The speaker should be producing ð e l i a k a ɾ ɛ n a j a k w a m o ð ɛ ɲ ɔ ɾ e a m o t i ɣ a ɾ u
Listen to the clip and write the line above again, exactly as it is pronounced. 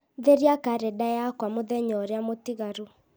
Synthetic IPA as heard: ð e ɾ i a k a ɾ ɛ d a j a k w a m o ð ɛ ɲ ɔ ɾ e a m o t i ɣ a ɾ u